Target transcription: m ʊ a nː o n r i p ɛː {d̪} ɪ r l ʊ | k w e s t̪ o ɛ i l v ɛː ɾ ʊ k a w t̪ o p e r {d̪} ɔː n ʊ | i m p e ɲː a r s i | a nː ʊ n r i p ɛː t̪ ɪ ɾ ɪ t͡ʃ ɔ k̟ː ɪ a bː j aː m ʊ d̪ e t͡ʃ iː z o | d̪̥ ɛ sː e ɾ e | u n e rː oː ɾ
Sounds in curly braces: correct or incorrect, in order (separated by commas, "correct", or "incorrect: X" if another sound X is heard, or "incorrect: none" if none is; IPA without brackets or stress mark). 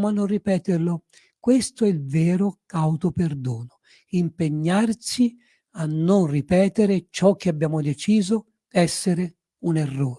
incorrect: t̪, correct